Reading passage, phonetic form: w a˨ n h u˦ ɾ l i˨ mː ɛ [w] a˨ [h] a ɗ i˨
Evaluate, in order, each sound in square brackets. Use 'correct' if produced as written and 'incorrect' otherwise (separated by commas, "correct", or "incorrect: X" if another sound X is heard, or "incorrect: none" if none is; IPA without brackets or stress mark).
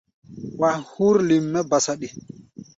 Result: incorrect: b, incorrect: s